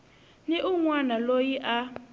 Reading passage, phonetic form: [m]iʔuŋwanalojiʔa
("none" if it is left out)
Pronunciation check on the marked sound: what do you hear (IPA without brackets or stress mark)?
n